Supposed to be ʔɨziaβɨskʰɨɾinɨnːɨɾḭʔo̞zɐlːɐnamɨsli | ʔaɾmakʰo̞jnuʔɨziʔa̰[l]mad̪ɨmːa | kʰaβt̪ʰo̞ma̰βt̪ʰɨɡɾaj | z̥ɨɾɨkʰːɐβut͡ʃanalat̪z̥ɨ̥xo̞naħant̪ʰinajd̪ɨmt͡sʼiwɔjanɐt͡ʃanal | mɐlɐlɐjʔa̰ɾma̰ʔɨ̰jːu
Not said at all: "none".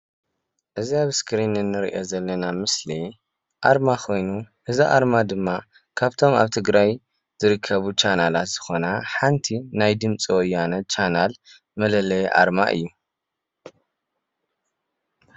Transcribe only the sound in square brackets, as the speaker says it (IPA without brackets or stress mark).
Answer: ɾ